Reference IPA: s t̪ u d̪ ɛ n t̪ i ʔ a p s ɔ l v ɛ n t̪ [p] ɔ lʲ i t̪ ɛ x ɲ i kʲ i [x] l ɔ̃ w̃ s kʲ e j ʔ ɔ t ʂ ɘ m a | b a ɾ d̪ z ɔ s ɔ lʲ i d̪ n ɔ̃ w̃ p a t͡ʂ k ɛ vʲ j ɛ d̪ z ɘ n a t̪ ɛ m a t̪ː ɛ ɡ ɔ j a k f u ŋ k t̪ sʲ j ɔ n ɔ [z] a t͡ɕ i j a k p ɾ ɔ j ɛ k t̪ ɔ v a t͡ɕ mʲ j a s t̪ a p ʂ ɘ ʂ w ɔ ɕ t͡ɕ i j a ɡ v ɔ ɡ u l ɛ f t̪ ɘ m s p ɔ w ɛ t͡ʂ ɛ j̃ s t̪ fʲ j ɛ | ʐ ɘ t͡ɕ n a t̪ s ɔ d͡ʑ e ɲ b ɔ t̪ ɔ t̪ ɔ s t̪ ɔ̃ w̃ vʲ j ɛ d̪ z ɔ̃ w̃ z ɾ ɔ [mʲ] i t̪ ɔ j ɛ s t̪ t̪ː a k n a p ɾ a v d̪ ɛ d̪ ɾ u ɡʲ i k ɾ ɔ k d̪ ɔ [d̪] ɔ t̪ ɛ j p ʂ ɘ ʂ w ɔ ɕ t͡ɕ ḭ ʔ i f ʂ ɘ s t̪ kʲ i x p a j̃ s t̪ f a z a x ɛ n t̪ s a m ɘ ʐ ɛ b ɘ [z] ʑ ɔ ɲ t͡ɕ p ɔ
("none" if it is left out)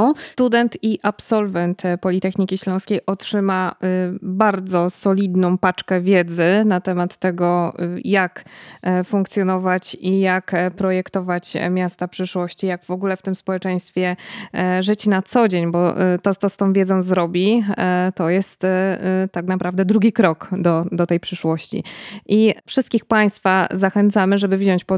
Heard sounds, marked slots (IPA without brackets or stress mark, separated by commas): p, ɕ, v, bʲ, d̪, v